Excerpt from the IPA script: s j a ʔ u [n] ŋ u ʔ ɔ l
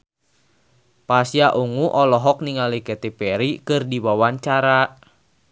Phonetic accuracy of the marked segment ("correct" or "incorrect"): incorrect